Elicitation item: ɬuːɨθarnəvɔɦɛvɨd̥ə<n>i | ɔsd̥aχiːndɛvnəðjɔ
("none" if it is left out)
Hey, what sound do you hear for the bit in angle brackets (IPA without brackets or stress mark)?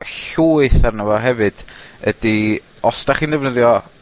d